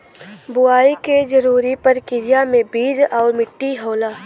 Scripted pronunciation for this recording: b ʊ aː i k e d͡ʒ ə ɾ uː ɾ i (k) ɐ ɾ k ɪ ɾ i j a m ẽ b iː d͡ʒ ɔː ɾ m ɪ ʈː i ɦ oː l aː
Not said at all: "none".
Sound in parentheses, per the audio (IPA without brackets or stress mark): p